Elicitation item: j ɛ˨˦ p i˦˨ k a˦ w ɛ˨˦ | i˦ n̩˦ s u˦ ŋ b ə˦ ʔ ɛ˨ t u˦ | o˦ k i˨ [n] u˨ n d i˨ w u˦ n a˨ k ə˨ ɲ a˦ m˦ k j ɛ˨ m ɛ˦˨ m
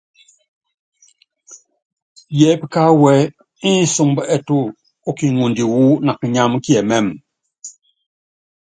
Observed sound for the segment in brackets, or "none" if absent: ŋ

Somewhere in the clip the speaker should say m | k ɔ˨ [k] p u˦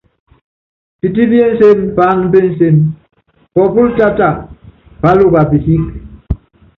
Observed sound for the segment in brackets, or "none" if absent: none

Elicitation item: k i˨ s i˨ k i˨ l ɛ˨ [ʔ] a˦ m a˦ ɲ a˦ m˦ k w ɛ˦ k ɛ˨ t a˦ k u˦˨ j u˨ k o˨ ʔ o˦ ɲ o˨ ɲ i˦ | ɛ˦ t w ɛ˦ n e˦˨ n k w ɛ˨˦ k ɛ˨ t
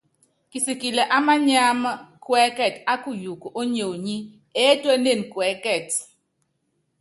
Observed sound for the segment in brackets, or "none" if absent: ʔ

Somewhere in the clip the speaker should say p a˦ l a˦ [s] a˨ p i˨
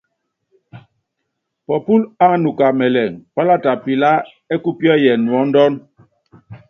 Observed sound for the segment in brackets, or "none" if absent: t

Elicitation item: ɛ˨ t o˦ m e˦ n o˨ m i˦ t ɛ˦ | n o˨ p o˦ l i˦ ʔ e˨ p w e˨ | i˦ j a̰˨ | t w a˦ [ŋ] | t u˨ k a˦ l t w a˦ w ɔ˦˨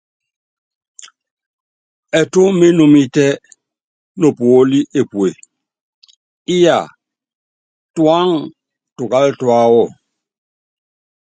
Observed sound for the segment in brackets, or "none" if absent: ŋ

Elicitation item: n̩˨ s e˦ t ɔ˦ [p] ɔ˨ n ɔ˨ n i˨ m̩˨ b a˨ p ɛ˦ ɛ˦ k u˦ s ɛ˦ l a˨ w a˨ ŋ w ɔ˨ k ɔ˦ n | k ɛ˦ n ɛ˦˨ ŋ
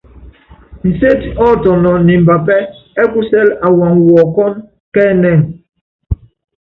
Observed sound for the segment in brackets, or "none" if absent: t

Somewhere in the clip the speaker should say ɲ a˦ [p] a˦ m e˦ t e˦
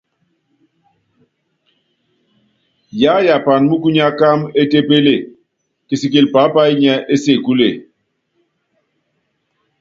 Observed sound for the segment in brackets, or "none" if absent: k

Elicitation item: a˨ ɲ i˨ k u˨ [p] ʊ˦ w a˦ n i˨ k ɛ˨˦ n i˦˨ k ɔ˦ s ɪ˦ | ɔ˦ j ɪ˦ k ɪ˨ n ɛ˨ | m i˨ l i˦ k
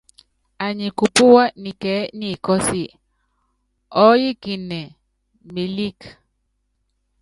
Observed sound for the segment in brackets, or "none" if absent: p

